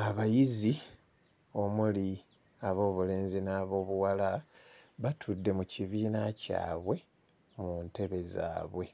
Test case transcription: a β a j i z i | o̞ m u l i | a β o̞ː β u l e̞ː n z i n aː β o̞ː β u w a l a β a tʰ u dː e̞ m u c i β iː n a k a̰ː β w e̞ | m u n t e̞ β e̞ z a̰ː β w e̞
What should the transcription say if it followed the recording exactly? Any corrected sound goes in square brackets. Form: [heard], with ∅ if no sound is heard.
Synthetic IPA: a β a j i z i | o̞ m u l i | a β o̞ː β u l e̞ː n z i n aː β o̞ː β u w a l a β a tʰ u dː e̞ m u c i β iː n a [c] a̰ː β w e̞ | m u n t e̞ β e̞ z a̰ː β w e̞